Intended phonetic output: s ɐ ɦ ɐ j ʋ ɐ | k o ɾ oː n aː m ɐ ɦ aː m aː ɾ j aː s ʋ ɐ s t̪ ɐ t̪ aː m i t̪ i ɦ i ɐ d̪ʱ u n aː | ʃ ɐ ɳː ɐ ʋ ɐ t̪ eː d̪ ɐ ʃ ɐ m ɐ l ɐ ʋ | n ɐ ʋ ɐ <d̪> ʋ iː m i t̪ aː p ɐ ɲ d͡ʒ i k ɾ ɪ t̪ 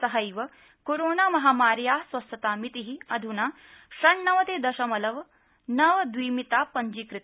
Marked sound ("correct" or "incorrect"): correct